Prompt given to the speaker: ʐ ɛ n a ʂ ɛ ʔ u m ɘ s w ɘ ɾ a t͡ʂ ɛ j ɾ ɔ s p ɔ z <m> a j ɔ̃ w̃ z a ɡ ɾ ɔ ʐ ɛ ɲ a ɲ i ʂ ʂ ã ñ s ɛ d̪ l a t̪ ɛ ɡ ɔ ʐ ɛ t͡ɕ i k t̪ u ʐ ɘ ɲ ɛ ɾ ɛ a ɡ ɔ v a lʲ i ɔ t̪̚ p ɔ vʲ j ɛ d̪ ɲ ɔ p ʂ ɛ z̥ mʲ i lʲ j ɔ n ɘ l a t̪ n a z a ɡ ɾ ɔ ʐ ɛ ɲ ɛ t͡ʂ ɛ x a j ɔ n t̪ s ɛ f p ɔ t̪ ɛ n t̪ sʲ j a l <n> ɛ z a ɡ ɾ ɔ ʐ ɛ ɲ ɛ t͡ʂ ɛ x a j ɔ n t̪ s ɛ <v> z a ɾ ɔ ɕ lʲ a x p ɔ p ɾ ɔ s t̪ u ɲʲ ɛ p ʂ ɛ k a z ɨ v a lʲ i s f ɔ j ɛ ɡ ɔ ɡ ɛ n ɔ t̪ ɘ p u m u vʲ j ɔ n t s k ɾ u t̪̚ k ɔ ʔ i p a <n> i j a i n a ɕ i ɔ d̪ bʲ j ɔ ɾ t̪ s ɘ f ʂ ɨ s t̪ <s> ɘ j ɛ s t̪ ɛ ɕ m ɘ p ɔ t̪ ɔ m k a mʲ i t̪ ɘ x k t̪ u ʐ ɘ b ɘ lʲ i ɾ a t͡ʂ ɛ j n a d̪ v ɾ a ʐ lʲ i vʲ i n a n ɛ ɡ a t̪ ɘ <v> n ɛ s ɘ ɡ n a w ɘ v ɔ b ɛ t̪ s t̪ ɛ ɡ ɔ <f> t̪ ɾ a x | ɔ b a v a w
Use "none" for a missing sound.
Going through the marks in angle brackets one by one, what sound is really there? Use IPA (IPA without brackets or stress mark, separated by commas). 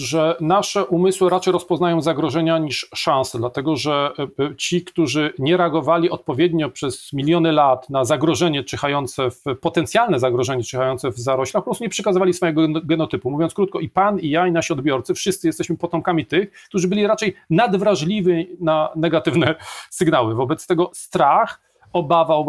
n, n, v, n, s, v, s